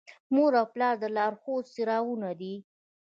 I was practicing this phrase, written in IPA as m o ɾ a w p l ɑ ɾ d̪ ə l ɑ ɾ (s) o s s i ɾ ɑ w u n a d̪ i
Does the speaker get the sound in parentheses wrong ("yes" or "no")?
yes